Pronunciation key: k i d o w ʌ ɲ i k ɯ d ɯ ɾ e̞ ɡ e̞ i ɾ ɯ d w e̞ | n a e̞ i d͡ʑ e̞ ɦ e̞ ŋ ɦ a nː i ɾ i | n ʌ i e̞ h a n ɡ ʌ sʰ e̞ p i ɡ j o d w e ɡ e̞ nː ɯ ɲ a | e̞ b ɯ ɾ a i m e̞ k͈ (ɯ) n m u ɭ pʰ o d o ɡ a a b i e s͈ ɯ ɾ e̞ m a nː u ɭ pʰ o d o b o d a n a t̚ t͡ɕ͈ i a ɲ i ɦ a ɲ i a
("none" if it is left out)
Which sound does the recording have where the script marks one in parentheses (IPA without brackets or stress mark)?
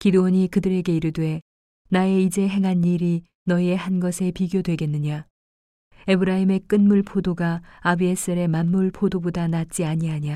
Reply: ɯ